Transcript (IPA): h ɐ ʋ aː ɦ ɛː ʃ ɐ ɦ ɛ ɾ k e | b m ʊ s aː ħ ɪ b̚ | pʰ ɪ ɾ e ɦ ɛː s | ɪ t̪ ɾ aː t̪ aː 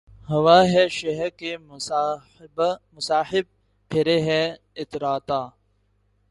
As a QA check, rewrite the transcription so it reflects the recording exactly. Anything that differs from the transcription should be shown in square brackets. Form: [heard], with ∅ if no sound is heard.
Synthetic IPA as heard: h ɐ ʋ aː ɦ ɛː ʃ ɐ ɦ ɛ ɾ k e | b m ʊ s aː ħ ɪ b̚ | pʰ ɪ ɾ e ɦ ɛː [∅] | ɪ t̪ ɾ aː t̪ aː